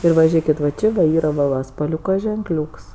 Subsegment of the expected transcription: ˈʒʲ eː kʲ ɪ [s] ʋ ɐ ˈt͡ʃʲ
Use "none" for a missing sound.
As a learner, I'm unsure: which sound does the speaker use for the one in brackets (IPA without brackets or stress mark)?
t